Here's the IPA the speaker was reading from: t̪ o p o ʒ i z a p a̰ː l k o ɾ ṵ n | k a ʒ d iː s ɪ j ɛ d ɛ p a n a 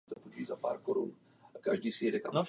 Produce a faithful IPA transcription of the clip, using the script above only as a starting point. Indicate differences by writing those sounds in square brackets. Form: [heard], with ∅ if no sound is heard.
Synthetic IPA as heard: t̪ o p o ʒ i z a p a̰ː [ɾ] k o ɾ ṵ n | k a ʒ d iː s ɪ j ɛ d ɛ [k] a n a